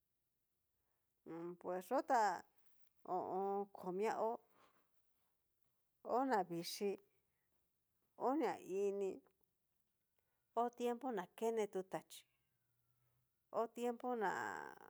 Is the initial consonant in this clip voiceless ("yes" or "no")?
yes